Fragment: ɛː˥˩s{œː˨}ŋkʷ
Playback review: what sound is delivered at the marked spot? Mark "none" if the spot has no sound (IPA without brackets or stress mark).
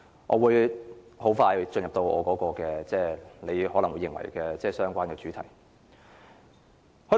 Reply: œː˥